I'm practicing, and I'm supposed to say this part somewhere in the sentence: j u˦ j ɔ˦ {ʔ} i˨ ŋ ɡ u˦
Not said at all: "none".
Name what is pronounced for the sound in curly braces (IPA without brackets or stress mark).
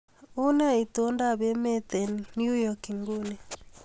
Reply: k